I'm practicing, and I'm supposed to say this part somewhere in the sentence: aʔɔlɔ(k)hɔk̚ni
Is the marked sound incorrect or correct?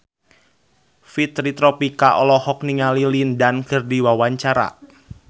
incorrect